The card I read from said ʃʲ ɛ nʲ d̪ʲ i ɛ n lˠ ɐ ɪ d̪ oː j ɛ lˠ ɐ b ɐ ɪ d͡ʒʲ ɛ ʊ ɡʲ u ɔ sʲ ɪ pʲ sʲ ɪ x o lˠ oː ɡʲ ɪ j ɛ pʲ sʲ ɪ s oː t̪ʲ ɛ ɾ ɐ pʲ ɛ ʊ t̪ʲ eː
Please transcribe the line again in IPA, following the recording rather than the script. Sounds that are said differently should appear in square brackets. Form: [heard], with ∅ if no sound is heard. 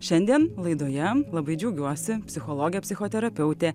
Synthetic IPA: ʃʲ ɛ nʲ d̪ʲ i ɛ n lˠ ɐ ɪ d̪ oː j ɛ lˠ ɐ b ɐ ɪ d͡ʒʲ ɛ ʊ ɡʲ u ɔ sʲ ɪ pʲ sʲ ɪ x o lˠ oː ɡʲ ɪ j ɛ pʲ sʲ ɪ [x] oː t̪ʲ ɛ ɾ ɐ pʲ ɛ ʊ t̪ʲ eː